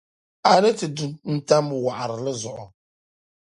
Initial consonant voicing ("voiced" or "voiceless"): voiced